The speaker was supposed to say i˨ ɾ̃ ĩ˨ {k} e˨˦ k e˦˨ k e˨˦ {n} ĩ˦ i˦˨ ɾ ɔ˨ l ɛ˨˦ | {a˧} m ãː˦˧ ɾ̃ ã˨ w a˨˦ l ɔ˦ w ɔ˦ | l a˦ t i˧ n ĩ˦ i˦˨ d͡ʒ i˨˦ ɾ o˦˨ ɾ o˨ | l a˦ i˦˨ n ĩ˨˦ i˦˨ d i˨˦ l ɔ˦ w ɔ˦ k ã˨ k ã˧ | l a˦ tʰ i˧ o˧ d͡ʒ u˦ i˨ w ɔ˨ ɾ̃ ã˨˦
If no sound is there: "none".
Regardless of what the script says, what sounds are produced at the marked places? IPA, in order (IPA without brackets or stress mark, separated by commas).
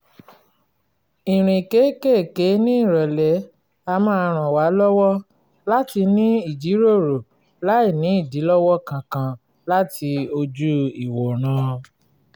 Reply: k, n, a˧